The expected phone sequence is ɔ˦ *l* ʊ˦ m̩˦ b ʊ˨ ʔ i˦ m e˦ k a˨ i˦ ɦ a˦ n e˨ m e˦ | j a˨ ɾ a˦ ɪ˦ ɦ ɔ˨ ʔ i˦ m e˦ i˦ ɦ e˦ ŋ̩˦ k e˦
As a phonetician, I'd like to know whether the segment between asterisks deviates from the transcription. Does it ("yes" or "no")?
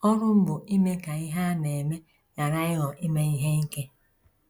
yes